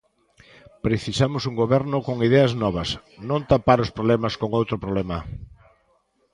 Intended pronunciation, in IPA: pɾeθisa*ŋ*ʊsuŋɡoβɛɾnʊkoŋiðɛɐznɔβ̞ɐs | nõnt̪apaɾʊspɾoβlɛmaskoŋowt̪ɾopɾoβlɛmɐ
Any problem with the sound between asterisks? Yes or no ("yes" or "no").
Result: yes